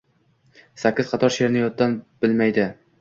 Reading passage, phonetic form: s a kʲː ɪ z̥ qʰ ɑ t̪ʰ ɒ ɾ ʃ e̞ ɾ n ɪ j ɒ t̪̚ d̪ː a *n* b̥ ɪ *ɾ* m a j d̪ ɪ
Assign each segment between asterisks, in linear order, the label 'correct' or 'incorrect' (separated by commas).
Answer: correct, incorrect